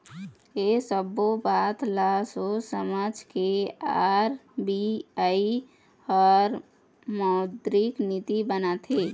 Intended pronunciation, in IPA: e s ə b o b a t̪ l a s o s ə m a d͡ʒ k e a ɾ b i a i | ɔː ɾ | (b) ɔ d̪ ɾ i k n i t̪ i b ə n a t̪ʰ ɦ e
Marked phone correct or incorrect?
incorrect